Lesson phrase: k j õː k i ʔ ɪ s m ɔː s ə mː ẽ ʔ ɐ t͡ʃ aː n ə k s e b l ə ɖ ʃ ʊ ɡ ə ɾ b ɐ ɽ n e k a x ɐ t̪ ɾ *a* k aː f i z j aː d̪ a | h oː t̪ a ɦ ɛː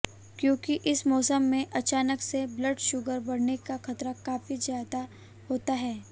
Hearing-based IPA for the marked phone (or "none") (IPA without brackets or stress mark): a